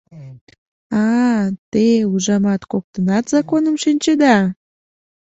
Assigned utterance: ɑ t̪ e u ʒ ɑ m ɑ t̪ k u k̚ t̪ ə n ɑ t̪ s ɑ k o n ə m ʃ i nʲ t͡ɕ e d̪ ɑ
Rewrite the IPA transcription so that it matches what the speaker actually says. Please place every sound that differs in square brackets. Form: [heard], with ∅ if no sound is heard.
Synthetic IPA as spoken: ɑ t̪ e u ʒ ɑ m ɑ t̪ k [o] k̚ t̪ ə n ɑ t̪ [z] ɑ k o n ə m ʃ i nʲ t͡ɕ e d̪ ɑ